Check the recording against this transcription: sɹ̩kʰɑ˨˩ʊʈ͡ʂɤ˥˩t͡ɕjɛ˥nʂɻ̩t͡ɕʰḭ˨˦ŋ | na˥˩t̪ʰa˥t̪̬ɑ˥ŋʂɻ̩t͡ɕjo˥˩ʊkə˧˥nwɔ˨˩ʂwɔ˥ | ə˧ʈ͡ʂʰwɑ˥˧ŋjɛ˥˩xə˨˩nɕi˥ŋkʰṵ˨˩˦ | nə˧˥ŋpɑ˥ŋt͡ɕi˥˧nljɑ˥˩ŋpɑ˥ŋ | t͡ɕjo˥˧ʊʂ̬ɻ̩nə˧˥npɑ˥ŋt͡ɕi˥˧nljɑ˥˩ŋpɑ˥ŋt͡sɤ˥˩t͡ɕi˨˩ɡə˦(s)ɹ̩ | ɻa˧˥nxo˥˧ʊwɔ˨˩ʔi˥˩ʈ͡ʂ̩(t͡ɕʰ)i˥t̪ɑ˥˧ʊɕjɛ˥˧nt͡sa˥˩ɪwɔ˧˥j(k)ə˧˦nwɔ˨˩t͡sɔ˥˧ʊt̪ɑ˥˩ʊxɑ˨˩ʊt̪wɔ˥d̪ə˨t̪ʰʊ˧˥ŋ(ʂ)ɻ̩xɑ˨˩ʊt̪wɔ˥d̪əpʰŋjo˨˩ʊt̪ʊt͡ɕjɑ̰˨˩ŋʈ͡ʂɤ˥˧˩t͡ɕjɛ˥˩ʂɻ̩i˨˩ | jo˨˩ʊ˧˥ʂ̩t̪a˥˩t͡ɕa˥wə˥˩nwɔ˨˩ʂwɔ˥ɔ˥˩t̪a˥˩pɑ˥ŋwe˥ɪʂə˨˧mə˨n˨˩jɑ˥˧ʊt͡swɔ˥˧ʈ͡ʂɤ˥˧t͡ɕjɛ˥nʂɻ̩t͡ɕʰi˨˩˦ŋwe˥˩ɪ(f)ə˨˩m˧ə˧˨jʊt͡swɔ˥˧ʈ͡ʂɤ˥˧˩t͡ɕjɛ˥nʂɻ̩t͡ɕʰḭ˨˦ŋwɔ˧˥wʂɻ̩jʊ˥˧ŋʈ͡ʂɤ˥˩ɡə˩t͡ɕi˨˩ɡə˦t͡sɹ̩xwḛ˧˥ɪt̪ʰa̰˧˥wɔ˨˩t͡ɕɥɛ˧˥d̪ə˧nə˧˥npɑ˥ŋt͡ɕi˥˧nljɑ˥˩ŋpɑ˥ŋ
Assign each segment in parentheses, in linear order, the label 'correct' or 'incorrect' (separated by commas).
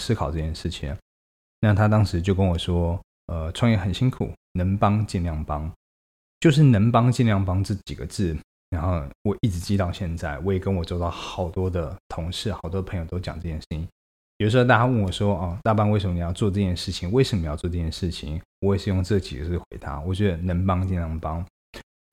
incorrect, incorrect, correct, correct, incorrect